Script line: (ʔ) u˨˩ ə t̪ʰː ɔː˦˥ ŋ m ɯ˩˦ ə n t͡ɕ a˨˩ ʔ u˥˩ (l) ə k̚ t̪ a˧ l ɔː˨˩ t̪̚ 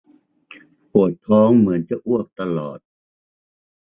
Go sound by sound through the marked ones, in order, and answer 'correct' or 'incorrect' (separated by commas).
incorrect, incorrect